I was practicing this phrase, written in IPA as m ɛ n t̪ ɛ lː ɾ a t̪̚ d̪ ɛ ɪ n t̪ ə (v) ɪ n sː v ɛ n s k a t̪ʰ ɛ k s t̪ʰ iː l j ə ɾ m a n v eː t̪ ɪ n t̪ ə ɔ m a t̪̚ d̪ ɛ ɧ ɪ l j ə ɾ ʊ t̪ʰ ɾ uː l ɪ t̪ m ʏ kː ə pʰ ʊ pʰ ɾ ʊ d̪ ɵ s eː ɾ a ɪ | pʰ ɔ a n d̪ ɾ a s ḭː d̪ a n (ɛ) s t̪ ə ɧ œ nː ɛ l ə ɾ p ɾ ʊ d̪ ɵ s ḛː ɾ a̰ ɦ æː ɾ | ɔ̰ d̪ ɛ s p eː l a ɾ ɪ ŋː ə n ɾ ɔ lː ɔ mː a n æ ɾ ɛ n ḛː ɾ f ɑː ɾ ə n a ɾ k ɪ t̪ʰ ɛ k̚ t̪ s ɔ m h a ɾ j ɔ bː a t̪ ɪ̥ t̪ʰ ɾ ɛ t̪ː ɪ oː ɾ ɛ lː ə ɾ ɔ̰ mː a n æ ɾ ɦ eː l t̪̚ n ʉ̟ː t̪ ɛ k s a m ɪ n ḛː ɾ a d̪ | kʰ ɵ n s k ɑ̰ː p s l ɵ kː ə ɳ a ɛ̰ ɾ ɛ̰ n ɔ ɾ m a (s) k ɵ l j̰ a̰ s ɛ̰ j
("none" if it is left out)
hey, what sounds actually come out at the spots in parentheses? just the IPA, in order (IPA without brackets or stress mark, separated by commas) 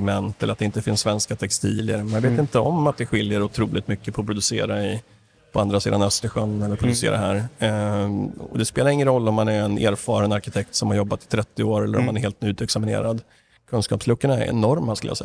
f, œ, s